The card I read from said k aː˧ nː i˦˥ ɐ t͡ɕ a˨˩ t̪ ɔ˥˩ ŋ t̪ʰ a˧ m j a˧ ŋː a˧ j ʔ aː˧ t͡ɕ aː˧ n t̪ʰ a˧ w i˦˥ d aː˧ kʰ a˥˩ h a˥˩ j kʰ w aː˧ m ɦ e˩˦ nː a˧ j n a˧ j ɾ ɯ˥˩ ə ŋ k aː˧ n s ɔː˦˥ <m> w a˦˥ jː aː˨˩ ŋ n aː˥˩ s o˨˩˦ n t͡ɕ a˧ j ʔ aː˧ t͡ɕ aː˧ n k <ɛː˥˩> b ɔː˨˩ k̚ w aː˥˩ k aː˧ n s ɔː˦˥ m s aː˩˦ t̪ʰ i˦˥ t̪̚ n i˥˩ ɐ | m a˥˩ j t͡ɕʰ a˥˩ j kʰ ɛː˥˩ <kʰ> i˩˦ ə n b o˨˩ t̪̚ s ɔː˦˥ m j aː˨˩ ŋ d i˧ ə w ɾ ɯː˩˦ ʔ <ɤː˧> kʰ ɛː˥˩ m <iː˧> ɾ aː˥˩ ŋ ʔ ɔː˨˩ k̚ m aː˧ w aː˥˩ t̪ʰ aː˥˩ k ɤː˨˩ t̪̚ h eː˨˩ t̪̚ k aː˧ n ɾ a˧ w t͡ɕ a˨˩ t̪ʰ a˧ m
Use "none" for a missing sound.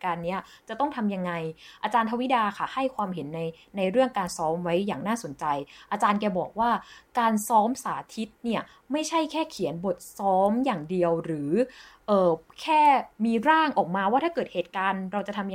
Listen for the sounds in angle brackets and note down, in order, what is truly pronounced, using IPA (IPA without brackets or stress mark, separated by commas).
m, ɛː˧, kʰ, ɤː˨˩, iː˧